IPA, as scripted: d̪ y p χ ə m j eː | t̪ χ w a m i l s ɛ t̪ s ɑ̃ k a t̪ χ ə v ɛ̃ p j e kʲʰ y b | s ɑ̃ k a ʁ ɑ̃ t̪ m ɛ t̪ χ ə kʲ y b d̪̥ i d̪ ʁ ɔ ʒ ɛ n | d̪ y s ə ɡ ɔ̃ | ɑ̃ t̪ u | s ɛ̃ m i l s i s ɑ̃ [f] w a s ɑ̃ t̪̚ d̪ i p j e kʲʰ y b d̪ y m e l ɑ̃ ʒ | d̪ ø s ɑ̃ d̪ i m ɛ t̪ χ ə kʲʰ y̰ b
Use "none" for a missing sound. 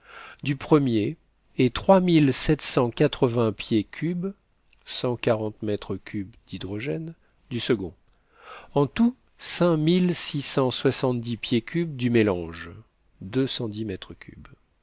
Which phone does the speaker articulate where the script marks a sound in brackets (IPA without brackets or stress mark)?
s